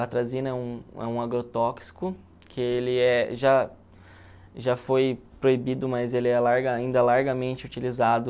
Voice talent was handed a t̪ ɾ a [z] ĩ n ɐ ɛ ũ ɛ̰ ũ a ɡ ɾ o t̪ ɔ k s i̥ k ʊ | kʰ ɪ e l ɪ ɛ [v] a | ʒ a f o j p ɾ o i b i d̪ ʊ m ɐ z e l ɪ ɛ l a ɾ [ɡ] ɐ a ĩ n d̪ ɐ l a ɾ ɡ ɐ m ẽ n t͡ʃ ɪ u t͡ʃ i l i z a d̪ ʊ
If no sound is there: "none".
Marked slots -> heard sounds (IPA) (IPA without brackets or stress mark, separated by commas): z, ʒ, ɡ